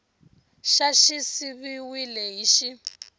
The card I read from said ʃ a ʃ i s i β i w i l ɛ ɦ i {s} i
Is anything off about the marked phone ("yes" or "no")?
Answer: yes